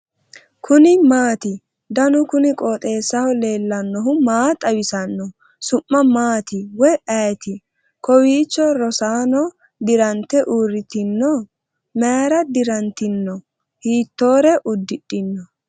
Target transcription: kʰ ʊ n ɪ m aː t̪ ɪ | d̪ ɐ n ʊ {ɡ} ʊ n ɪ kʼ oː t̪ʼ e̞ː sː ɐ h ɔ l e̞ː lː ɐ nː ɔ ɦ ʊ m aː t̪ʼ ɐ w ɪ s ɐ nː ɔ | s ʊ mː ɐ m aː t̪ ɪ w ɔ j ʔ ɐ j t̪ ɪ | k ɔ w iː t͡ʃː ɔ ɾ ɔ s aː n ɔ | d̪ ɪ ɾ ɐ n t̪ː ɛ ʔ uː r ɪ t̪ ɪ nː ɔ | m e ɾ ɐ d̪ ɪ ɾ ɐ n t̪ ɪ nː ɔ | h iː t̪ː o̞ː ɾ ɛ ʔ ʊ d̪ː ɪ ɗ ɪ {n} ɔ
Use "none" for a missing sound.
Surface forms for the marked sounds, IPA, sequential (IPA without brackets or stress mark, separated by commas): k, nː